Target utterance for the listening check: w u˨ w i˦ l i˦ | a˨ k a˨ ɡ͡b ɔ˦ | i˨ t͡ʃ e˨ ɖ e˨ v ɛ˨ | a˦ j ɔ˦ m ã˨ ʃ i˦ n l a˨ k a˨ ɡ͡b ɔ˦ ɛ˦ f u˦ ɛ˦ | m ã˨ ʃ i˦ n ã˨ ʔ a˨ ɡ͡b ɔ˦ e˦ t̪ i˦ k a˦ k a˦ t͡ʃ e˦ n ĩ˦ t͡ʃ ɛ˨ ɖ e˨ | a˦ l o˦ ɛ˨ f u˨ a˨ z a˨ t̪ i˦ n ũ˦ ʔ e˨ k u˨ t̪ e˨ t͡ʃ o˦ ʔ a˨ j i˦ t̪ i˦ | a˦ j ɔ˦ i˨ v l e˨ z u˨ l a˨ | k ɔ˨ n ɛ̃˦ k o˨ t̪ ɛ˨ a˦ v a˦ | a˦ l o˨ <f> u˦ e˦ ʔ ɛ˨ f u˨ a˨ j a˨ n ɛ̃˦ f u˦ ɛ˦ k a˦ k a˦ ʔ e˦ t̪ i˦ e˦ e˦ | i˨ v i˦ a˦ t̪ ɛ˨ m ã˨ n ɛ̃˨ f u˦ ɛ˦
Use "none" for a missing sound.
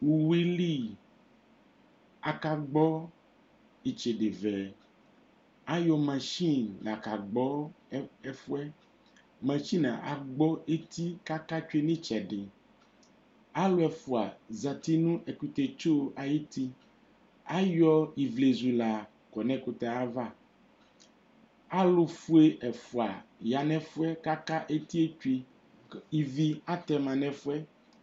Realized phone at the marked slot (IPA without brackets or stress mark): f